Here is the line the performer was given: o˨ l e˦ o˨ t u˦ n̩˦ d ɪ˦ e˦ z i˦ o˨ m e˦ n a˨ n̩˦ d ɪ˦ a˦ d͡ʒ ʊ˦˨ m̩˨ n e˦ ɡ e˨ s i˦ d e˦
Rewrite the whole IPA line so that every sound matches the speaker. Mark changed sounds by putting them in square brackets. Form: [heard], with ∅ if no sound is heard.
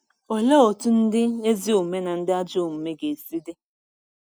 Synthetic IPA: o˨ l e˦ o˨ t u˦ n̩˦ d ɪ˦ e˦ z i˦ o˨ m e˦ n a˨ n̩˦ d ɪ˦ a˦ d͡ʒ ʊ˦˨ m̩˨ [m] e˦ ɡ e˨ s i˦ d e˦